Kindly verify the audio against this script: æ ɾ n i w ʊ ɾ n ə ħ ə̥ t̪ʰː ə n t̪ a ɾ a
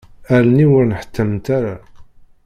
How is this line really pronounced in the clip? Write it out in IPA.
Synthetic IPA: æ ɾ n i w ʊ ɾ n ə ħ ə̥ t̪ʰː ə m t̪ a ɾ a